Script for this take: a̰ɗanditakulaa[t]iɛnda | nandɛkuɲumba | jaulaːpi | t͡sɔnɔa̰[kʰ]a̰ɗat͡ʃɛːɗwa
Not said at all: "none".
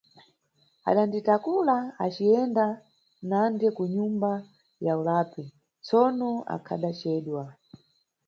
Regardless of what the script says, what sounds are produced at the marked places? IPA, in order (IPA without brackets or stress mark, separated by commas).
t͡ʃ, kʰ